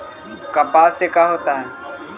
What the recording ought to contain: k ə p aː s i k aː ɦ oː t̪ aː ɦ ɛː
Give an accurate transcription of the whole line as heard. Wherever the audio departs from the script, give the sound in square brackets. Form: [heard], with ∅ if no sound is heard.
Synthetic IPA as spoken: k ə p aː s [e] k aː ɦ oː t̪ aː ɦ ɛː